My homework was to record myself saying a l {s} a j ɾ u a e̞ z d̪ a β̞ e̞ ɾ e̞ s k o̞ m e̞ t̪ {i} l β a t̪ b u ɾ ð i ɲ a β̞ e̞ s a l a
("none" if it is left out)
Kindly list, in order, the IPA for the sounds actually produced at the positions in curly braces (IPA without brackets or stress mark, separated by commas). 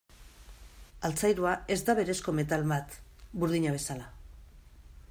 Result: t͡s, a